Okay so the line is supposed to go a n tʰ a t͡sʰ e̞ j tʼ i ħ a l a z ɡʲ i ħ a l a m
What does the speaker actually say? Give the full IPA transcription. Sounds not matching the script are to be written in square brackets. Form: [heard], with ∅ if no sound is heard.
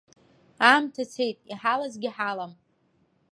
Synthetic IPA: a [m] tʰ a t͡sʰ e̞ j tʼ i ħ a l a z ɡʲ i ħ a l a m